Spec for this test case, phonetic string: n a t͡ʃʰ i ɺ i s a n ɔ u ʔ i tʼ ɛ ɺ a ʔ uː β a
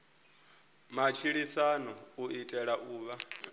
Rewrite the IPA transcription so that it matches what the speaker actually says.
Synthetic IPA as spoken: m a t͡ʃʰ i ɺ i s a n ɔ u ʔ i tʼ ɛ ɺ a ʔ uː β a